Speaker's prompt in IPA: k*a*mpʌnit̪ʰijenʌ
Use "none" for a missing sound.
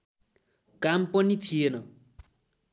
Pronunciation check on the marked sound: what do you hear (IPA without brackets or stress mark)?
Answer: a